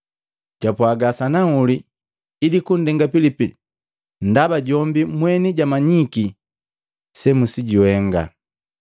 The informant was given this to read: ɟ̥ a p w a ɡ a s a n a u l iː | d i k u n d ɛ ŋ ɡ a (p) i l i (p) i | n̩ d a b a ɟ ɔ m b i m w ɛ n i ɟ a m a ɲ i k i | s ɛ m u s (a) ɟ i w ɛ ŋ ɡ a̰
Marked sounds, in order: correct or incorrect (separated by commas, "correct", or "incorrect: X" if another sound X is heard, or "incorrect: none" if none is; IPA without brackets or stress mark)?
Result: correct, correct, incorrect: i